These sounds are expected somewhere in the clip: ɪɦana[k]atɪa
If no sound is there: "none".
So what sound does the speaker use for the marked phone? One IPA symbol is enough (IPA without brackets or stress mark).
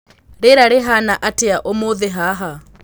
ʔ